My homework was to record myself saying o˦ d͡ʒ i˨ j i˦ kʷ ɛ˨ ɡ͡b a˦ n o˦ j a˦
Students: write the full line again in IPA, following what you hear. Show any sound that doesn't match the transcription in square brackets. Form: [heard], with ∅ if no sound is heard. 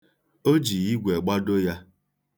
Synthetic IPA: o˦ d͡ʒ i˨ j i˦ [ɡʷ] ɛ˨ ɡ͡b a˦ [d] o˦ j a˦